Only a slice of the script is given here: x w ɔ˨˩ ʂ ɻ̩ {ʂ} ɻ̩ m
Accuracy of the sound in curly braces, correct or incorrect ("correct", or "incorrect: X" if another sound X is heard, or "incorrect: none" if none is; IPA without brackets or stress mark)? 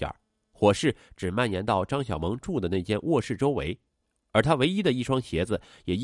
incorrect: ʈ͡ʂ